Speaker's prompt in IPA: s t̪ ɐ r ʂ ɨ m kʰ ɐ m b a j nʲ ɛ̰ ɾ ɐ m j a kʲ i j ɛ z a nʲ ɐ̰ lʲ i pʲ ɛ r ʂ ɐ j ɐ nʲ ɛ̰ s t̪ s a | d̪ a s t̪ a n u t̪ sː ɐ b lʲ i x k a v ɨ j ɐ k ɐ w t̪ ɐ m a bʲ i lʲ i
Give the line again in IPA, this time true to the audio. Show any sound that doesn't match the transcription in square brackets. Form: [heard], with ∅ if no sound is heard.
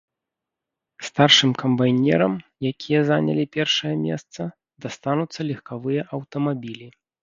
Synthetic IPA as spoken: s t̪ [a] r ʂ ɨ m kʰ ɐ m b a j nʲ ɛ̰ ɾ ɐ m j a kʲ i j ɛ z a nʲ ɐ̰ lʲ i pʲ ɛ r ʂ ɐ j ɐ [mʲ] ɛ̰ s t̪ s [ɐ] | d̪ a s t̪ a n u t̪ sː ɐ [∅] lʲ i x k a v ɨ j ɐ [ʔ] ɐ w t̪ ɐ m a bʲ i lʲ i